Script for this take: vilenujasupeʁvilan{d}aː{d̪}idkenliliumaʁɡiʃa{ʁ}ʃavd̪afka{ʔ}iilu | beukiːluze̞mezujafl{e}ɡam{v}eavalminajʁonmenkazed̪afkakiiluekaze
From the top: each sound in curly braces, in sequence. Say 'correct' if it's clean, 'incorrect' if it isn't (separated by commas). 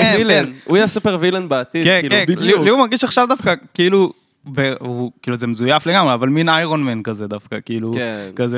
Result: incorrect, incorrect, incorrect, incorrect, correct, incorrect